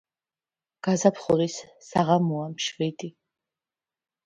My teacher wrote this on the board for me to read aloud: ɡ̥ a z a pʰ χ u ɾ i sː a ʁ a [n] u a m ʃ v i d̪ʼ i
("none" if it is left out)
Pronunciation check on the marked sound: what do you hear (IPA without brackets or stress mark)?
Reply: m